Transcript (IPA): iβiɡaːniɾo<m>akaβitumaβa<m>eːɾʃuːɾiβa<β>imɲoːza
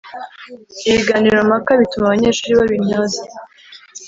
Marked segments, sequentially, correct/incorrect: correct, incorrect, correct

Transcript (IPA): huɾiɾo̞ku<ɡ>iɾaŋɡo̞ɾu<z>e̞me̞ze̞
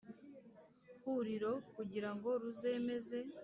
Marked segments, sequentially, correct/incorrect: incorrect, correct

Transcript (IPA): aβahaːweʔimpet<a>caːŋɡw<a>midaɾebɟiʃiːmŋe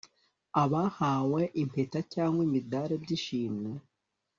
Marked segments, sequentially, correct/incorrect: correct, incorrect

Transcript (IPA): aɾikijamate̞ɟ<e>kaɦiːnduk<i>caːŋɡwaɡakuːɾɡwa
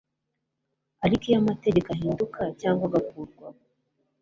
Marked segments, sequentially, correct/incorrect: correct, incorrect

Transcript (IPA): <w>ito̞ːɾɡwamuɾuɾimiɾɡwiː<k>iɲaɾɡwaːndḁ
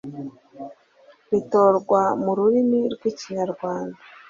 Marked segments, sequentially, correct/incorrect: incorrect, incorrect

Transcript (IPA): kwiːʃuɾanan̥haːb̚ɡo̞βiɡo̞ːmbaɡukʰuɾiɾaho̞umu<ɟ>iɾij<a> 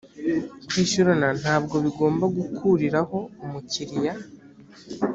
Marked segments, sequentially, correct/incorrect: incorrect, correct

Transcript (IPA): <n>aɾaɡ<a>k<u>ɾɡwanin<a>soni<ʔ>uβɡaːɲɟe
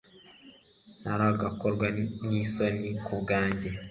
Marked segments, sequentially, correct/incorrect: correct, correct, incorrect, incorrect, incorrect

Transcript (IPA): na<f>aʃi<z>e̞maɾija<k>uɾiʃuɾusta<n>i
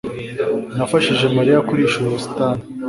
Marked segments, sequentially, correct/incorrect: correct, incorrect, correct, correct

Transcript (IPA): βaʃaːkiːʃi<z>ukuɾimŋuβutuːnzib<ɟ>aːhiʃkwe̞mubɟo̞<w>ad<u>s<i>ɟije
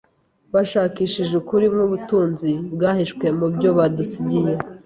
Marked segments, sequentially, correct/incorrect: incorrect, incorrect, incorrect, correct, correct

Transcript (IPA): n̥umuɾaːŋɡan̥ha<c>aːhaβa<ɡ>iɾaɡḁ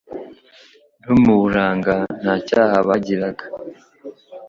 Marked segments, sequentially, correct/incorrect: correct, incorrect

